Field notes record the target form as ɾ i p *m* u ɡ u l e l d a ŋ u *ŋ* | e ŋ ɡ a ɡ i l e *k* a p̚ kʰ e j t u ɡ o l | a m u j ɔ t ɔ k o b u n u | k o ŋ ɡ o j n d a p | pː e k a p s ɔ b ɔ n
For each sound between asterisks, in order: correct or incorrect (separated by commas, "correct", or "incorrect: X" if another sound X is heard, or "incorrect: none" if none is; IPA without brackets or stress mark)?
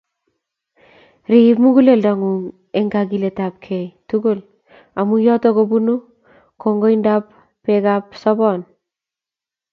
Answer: correct, correct, incorrect: t